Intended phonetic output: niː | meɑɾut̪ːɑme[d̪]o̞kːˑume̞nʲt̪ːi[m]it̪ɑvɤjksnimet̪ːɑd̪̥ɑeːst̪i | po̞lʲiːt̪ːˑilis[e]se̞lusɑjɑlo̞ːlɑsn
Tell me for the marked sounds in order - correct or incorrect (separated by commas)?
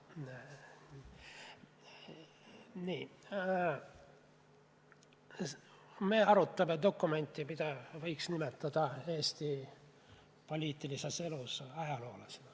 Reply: correct, correct, correct